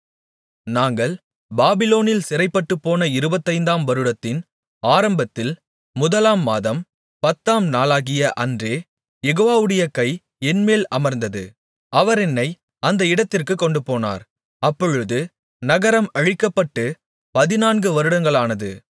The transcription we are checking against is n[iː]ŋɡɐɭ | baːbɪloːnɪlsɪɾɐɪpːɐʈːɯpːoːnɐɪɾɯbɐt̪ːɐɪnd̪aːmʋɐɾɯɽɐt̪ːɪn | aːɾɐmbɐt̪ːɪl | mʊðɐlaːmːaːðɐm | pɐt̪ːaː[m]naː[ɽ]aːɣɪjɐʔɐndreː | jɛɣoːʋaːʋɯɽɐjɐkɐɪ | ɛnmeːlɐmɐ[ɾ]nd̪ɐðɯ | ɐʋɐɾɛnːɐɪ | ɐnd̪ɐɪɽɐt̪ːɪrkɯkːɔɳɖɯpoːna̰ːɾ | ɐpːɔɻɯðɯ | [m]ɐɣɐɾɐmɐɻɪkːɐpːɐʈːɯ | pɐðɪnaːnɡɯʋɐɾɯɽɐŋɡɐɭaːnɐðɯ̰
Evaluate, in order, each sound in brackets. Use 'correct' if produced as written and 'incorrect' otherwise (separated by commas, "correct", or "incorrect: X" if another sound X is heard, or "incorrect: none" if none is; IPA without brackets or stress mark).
incorrect: aː, correct, incorrect: l, correct, incorrect: n